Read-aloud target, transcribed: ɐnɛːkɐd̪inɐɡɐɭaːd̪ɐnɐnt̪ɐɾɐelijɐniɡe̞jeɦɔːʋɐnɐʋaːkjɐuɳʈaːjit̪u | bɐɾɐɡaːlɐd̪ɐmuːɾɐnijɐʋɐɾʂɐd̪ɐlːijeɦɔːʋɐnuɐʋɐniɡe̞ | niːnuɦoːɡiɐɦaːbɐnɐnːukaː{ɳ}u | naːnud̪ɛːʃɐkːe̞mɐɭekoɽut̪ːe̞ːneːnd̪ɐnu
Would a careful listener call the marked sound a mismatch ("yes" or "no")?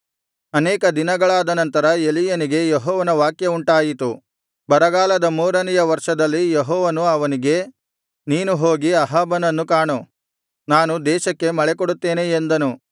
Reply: no